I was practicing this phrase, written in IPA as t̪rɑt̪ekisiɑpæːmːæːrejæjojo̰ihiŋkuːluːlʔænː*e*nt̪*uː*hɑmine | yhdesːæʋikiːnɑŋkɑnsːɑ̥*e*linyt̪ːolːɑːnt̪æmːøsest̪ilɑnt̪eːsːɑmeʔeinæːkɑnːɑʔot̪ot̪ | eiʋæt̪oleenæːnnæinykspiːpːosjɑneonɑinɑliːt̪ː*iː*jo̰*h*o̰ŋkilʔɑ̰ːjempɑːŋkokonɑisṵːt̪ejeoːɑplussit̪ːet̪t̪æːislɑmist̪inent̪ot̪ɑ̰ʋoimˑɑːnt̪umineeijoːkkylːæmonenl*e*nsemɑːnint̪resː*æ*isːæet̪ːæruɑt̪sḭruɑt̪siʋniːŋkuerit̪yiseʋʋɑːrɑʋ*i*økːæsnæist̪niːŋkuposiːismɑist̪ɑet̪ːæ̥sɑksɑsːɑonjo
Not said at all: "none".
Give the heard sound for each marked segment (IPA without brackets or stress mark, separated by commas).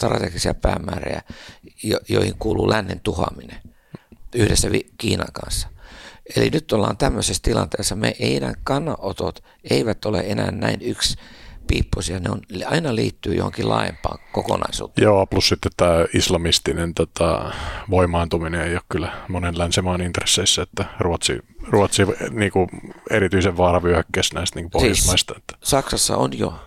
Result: e, u, e, yː, h, æ, e, y